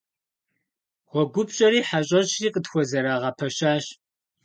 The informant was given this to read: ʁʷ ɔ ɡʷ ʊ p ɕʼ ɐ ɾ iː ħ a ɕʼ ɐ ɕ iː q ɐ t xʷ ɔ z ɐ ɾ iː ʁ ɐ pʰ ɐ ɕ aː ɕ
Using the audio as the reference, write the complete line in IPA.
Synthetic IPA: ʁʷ ɔ ɡʷ ʊ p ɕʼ ɐ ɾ iː ħ a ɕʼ ɐ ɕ iː q ə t xʷ ɔ z ɐ ɾ aː ʁ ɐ pʰ ɐ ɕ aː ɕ